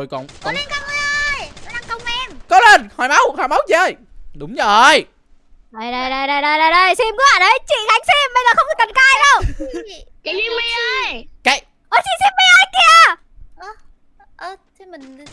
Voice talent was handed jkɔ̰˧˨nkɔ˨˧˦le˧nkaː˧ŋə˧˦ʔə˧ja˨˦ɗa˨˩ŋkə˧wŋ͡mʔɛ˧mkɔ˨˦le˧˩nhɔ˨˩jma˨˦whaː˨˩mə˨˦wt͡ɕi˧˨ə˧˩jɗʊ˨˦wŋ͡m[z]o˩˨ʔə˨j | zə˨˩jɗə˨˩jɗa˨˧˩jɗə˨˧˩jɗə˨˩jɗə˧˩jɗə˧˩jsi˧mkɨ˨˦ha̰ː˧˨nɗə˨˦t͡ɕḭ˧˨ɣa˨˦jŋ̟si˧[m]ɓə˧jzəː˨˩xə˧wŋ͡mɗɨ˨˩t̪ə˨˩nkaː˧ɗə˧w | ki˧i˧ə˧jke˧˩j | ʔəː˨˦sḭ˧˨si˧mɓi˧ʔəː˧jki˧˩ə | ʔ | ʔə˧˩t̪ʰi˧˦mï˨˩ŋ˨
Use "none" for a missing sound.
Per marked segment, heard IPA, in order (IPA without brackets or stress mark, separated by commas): z, m